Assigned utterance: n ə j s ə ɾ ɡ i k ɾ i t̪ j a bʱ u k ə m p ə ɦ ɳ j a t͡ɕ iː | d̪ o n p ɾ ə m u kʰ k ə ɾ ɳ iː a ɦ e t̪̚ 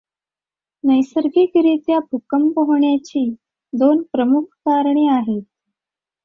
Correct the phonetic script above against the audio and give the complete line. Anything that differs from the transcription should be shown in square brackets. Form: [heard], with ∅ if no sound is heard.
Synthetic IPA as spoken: n ə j s ə ɾ ɡ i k ɾ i t̪ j a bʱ u k ə m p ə ɦ ɳ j a t͡ɕ iː | d̪ o n p ɾ ə m u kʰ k [a] ɾ ɳ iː a ɦ e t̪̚

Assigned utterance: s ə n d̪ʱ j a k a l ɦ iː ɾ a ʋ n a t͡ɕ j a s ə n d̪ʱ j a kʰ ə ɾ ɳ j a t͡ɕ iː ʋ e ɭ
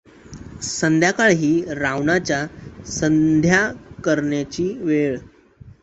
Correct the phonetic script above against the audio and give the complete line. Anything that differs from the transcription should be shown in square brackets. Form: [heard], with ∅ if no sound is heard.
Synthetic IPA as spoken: s ə n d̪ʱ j a k a [ɭ] ɦ iː ɾ a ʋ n a t͡ɕ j a s ə n d̪ʱ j a [k] ə ɾ ɳ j a t͡ɕ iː ʋ e ɭ

